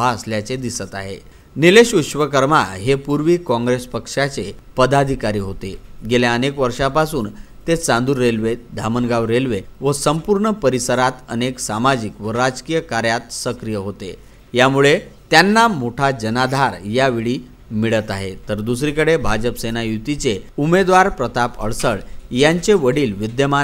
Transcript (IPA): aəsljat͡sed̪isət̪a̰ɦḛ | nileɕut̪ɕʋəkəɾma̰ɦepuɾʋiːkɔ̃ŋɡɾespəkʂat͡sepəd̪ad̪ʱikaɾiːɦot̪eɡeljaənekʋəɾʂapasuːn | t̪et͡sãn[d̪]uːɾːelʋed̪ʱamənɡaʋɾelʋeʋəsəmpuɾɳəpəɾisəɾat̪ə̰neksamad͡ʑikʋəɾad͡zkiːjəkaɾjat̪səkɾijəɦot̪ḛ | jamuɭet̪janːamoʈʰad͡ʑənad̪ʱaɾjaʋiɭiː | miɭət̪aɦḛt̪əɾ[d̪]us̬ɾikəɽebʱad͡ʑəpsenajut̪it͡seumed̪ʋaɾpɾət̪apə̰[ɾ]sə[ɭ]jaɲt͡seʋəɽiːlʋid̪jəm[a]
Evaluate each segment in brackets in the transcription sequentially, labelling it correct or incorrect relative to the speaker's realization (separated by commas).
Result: correct, correct, incorrect, correct, correct